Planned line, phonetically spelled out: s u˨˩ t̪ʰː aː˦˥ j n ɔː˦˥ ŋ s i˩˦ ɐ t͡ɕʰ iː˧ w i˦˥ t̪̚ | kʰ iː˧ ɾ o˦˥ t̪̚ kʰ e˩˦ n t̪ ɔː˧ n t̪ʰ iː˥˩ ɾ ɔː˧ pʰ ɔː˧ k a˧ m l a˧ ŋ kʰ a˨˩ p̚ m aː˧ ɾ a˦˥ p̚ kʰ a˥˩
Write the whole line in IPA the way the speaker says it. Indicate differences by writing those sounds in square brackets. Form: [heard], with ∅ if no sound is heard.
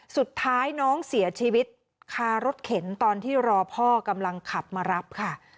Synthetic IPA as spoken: s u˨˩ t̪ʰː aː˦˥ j n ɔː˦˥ ŋ s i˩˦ ɐ t͡ɕʰ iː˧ w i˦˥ t̪̚ | kʰ [aː˧] ɾ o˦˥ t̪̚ kʰ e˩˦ n t̪ ɔː˧ n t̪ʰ iː˥˩ ɾ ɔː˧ pʰ [ɔː˥˩] k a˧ m l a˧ ŋ kʰ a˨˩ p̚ m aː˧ ɾ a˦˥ p̚ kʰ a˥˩